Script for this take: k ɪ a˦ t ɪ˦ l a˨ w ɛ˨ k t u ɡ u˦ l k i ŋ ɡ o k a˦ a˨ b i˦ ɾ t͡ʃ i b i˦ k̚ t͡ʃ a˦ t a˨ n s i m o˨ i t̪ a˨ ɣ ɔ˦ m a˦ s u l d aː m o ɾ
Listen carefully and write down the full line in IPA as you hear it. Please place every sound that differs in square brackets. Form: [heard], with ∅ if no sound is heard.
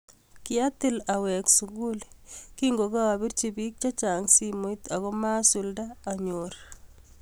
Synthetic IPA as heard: k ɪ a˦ t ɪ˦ l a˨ w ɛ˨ k [s] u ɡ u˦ l k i ŋ ɡ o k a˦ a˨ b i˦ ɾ t͡ʃ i b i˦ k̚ t͡ʃ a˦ [t͡ʃ] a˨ [ŋ] s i m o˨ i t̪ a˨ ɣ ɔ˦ m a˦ s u l d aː [ɲ] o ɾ

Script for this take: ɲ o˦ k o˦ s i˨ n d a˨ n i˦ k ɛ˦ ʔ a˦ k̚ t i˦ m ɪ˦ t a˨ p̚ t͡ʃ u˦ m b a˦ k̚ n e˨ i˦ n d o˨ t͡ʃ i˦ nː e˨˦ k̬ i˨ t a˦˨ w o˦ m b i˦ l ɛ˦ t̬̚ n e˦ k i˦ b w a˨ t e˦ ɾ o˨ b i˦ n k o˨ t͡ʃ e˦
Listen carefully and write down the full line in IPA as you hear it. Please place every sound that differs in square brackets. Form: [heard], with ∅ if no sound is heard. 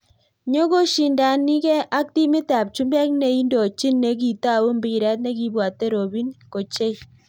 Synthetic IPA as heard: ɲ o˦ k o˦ [ʃ] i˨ n d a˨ n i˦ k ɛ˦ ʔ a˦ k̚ t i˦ m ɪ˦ t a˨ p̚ t͡ʃ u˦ m b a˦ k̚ n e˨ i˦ n d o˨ t͡ʃ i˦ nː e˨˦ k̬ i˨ t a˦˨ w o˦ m b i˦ [ɾ] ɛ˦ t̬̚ n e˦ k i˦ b w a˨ t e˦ ɾ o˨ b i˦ n k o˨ t͡ʃ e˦

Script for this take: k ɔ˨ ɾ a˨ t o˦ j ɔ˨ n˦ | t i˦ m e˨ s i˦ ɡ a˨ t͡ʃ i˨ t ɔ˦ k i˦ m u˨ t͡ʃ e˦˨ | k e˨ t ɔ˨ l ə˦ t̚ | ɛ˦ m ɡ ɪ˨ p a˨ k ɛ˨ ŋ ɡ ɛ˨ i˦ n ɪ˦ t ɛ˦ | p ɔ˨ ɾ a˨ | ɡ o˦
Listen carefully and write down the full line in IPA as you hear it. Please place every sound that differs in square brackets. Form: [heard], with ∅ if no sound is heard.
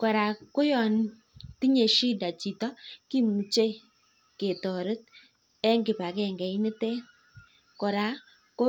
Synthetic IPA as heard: k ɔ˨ ɾ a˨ [k] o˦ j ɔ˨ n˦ | t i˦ [ɲ] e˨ [ʃ] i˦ [d] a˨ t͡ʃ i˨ t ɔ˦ k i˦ m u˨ t͡ʃ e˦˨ | k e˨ t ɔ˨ [ɾ] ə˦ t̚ | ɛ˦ [ŋ] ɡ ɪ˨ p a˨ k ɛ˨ ŋ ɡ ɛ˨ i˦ n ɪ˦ t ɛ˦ | [k] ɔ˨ ɾ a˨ | [k] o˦

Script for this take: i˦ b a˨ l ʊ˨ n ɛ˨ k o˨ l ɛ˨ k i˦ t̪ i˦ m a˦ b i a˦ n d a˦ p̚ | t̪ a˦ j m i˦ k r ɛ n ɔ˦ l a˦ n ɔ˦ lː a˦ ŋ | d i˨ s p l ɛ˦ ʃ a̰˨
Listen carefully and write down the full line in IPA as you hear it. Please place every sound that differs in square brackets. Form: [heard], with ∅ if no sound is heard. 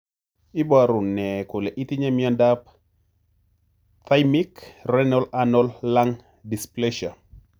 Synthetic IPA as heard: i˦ b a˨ [ɾ] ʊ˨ n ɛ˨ k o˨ l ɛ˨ [ʔ] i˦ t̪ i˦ [ɲ] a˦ [m] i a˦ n d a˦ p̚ | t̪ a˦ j m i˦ k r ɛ n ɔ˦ l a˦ n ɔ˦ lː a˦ ŋ | d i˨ s p l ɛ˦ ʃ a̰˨

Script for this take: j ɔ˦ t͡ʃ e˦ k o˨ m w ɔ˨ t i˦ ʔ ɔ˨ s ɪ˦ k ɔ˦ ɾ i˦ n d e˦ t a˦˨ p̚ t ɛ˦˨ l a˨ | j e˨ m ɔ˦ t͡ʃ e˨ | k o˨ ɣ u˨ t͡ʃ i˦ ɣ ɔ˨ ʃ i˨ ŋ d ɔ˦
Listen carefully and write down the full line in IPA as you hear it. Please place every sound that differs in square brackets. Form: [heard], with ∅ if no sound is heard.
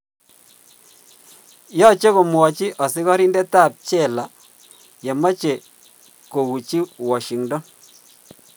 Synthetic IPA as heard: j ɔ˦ t͡ʃ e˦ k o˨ m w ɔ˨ [t͡ʃ] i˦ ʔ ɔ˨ s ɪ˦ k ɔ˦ ɾ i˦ n d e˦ t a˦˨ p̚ [t͡ʃ] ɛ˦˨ l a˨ | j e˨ m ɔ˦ t͡ʃ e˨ | k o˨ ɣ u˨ t͡ʃ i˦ [w] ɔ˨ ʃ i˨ ŋ d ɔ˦

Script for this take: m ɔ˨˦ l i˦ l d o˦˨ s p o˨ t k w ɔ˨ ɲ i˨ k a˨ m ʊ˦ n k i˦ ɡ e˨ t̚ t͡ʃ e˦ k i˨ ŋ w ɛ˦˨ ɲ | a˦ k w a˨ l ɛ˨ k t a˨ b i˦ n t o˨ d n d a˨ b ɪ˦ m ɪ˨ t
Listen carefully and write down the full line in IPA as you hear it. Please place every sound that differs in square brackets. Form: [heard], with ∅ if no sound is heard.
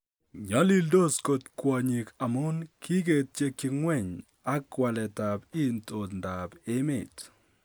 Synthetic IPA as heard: [ɲ] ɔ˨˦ l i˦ l d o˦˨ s [k] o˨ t k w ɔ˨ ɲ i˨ k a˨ m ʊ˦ n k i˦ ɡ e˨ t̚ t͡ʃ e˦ k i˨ ŋ w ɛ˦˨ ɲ | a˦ k w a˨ l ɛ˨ [∅] t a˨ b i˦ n t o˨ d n d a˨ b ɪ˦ m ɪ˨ t

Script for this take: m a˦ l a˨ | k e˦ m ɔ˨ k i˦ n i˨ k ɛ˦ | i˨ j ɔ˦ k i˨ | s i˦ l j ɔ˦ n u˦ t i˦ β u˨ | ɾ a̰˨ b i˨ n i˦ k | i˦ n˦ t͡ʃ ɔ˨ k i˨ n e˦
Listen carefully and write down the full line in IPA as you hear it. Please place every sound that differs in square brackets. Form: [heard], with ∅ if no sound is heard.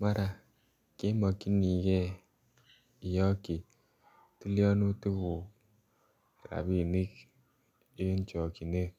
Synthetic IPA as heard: m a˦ [ɾ] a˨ | k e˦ m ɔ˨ k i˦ n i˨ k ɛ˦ | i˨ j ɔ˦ k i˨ | [t] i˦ l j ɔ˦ n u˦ t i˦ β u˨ | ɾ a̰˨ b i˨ n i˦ k | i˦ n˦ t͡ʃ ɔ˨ k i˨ n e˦

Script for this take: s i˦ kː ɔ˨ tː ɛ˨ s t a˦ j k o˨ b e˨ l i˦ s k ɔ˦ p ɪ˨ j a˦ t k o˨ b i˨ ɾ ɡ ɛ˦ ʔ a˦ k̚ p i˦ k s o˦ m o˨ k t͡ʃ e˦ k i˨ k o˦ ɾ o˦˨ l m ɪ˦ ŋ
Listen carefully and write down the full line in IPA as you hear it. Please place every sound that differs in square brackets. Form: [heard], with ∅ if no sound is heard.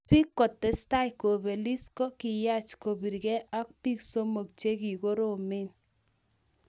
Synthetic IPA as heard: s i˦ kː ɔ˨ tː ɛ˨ s t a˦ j k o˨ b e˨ l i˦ s k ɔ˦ [k] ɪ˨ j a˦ [t͡ʃ] k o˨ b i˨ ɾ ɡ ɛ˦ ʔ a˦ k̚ p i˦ k s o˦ m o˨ k t͡ʃ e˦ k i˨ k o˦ ɾ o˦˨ [∅] m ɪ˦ [n]

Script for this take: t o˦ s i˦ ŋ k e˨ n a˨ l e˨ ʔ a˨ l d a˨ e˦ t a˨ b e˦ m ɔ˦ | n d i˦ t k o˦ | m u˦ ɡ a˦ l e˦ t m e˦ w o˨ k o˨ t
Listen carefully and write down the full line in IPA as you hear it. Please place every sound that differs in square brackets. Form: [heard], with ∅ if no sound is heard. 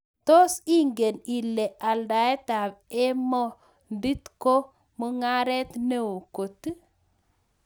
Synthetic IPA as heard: t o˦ s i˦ ŋ [ɡ] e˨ n [i˨] l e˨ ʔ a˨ l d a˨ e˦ t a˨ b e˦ m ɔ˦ | n d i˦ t k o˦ | m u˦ [ŋ] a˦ [ɾ] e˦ t [n] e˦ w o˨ k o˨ t

